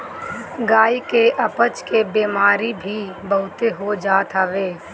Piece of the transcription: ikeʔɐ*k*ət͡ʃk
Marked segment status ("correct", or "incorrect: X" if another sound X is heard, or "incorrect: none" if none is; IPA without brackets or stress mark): incorrect: p